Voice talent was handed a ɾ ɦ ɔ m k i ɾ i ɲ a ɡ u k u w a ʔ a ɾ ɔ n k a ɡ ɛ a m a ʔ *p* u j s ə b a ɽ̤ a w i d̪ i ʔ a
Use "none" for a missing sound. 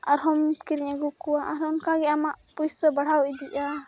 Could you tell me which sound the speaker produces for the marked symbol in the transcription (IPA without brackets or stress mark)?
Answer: p